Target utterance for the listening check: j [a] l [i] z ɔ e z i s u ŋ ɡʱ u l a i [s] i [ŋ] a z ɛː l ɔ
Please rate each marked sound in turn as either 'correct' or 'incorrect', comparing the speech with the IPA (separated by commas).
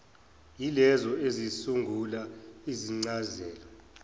incorrect, incorrect, incorrect, incorrect